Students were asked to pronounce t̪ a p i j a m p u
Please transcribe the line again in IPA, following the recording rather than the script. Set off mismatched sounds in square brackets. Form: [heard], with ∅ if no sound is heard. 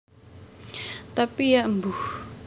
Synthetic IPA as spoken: t̪ a p i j a m [b] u